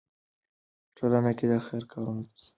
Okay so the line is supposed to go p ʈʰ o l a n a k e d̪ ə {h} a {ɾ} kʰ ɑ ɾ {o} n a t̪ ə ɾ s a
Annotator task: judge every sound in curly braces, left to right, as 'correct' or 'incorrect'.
incorrect, correct, incorrect

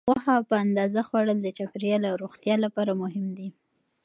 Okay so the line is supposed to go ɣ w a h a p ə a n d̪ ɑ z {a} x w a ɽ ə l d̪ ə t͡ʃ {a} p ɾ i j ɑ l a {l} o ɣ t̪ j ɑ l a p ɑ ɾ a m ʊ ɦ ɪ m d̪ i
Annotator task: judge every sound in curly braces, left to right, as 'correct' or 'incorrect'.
correct, correct, incorrect

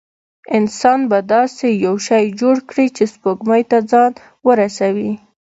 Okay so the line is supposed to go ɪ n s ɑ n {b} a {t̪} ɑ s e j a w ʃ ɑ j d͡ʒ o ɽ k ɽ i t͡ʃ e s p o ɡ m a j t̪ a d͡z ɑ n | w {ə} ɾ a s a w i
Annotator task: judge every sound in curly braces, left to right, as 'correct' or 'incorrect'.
correct, incorrect, correct

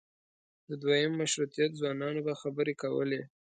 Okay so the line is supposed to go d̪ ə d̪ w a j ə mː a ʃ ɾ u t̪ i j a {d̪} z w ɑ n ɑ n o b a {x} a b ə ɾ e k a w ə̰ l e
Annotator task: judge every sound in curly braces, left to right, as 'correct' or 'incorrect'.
incorrect, correct

